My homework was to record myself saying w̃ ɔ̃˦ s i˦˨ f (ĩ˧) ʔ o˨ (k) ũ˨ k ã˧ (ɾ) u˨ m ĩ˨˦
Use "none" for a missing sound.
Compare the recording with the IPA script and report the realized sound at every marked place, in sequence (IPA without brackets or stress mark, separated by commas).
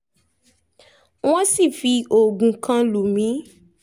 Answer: i˧, ɡ, l